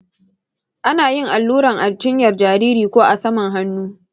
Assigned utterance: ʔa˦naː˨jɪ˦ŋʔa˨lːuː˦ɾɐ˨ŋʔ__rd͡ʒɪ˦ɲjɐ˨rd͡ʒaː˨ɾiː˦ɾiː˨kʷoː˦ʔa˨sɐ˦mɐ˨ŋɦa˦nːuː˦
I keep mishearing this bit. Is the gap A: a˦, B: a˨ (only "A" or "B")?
B